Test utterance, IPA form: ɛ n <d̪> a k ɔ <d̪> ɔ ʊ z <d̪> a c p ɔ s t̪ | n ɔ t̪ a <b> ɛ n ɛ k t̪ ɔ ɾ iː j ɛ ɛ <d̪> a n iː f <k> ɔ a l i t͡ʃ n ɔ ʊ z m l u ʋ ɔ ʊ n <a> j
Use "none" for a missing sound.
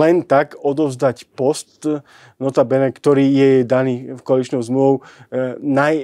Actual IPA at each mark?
t̪, d̪, d̪, b, d̪, k, a

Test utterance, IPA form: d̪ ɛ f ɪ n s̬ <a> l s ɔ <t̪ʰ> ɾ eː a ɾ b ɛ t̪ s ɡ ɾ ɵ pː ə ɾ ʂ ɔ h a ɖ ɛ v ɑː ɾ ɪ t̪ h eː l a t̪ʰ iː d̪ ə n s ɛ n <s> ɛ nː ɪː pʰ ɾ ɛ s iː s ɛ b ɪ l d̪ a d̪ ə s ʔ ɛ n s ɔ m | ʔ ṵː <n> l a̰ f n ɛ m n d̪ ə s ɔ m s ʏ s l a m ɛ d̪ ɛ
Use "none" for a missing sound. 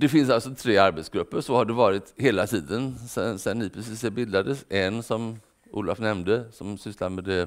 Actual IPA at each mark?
a, t̪ʰ, s, none

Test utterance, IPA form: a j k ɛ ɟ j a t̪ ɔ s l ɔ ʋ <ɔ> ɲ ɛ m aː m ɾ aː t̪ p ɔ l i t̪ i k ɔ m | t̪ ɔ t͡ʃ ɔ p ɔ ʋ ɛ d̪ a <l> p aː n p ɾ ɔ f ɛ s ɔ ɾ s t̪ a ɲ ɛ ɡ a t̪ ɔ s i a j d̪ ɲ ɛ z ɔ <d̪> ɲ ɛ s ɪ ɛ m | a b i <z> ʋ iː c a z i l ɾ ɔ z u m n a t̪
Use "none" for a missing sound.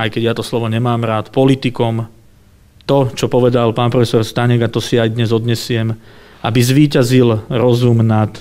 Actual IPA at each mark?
ɔ, l, d̪, z

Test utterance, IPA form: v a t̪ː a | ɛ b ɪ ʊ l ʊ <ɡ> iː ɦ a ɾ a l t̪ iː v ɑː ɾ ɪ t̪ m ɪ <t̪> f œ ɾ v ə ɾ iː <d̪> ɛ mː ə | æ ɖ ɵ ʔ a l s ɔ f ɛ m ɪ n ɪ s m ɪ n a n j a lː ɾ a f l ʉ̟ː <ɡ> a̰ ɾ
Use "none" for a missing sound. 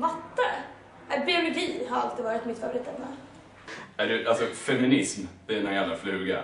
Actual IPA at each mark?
ɡ, t̪, t̪, ɡ

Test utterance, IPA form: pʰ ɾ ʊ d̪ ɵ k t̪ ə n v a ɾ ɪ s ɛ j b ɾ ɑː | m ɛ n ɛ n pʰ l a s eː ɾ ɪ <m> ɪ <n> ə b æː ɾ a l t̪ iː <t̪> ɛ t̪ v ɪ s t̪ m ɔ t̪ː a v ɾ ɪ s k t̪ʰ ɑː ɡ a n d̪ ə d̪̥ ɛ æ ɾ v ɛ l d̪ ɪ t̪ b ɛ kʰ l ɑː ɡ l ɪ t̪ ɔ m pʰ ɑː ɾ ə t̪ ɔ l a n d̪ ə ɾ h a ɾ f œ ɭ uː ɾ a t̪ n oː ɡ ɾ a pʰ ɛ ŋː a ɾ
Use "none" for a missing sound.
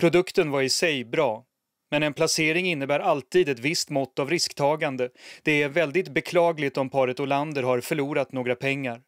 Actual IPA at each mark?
ŋ, nː, d̪

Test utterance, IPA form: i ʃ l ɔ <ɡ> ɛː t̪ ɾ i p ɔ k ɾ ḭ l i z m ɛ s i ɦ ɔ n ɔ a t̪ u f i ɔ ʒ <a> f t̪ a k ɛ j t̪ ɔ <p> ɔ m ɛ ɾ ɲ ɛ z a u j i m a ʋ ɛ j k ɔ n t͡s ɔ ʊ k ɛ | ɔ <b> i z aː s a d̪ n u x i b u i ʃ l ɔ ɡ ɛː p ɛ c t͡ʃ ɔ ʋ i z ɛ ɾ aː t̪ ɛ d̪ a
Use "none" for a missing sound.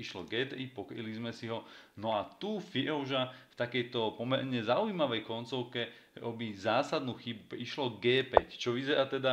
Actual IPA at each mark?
ɡ, a, p, b

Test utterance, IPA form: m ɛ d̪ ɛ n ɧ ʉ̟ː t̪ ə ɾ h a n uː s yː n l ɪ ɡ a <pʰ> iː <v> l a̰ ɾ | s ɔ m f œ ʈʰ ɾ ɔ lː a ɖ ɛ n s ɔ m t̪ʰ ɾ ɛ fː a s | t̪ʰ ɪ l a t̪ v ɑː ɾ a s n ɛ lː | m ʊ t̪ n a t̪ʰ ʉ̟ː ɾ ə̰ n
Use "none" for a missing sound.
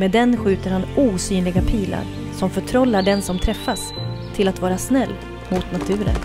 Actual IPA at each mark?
pʰ, none

